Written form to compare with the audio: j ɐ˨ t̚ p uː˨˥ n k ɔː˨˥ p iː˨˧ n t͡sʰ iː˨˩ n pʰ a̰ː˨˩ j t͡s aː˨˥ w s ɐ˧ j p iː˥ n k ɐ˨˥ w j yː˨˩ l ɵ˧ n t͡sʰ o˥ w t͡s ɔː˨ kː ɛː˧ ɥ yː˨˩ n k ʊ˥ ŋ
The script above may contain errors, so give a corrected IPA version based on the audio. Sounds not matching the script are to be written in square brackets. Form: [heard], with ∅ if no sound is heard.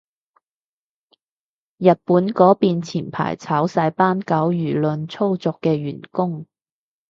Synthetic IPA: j ɐ˨ t̚ p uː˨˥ n k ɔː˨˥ p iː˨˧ n t͡sʰ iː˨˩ n pʰ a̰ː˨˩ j [t͡sʰ] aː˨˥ w s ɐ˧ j p [aː˥] n k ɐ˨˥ w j yː˨˩ l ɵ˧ n t͡sʰ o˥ w t͡s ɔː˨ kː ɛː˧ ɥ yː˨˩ n k ʊ˥ ŋ